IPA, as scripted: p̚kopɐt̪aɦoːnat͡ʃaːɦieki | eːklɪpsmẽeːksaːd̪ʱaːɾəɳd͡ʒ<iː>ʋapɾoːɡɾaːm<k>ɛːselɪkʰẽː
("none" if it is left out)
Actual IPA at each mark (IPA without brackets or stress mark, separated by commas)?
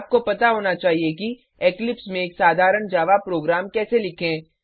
aː, k